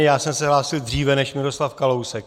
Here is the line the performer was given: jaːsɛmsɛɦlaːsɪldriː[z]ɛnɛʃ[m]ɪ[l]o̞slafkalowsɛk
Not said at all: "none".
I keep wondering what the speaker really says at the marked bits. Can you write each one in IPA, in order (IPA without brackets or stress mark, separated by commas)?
v, m, ɾ